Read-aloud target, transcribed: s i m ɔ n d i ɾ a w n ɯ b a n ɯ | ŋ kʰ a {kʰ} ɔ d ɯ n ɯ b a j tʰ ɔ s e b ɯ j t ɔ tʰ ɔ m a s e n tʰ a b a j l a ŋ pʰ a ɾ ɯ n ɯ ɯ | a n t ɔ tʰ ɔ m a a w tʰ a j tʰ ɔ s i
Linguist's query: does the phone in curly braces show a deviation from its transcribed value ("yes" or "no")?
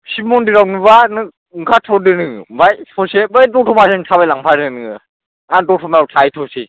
yes